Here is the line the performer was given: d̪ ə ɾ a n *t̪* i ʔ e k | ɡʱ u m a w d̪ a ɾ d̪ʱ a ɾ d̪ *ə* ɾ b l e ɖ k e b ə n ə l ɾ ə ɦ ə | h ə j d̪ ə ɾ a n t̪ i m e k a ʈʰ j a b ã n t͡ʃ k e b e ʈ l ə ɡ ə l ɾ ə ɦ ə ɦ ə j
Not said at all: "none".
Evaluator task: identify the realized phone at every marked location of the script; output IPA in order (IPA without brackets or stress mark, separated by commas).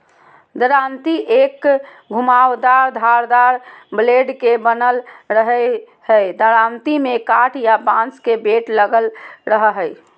t̪, a